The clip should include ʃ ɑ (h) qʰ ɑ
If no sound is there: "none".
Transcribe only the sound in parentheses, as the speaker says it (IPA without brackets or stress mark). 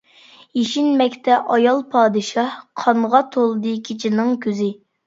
h